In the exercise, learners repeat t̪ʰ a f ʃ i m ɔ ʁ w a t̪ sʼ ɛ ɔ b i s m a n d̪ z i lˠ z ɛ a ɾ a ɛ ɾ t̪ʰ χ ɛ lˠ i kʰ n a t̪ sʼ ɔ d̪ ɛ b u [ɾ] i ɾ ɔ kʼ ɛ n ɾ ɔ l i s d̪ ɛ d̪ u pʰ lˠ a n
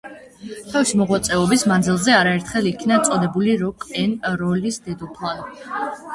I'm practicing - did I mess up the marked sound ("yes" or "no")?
yes